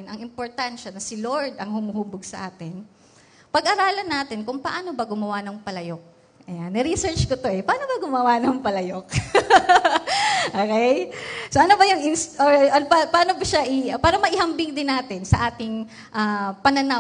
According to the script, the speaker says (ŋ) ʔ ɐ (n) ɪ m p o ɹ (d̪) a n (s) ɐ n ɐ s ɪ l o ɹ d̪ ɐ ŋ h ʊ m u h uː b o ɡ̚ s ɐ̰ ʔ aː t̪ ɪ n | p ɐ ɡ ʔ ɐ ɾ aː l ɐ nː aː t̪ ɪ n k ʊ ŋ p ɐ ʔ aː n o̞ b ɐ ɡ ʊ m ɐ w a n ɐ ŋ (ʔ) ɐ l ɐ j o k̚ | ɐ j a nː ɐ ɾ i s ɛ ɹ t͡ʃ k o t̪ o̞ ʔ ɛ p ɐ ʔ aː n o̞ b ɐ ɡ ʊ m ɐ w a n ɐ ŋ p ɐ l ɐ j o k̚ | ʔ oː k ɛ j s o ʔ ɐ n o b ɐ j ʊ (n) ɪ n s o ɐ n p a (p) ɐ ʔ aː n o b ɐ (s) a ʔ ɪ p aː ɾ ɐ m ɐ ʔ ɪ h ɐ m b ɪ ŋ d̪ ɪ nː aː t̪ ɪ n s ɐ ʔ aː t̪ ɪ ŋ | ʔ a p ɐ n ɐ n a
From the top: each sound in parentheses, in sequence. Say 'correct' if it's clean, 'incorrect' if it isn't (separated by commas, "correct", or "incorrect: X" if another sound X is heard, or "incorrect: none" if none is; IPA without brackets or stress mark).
incorrect: n, incorrect: ŋ, incorrect: t̪, incorrect: ʃ, incorrect: p, incorrect: ŋ, correct, incorrect: ʃ